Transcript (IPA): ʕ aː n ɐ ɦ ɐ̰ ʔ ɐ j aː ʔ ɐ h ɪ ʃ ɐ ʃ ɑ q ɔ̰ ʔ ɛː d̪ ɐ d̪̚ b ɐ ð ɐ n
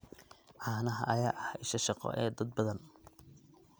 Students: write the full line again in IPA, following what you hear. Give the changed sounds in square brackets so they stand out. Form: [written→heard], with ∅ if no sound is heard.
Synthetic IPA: ʕ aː n ɐ ɦ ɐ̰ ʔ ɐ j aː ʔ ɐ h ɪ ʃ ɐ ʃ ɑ q ɔ̰ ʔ ɛː d̪ ɐ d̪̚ b ɐ ð ɐ n